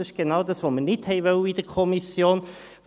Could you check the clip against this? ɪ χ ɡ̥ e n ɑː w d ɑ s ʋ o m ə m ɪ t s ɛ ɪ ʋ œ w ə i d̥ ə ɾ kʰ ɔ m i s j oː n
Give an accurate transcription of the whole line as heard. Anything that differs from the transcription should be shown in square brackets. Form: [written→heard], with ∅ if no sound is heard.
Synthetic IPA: ɪ [χ→ʃ] ɡ̥ e n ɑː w d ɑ s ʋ o m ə [m→n] ɪ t [s→h] ɛ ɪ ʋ œ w ə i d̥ ə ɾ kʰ ɔ m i s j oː n